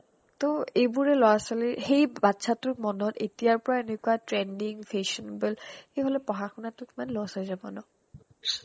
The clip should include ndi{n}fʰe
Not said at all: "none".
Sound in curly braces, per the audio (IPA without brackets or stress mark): ŋ